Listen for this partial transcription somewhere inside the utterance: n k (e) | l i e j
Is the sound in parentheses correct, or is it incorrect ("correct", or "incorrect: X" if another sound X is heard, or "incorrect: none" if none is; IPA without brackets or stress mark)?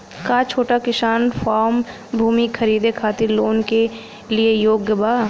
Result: correct